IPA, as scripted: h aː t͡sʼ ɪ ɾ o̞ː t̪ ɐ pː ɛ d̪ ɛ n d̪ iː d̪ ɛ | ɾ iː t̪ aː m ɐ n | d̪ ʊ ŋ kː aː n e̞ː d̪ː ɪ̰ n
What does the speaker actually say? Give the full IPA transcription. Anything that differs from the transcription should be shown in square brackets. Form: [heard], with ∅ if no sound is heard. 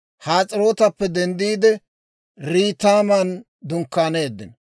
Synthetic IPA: h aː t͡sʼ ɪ ɾ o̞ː t̪ ɐ pː ɛ d̪ ɛ n d̪ iː d̪ ɛ | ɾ iː t̪ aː m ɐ n | d̪ ʊ ŋ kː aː n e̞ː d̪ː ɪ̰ n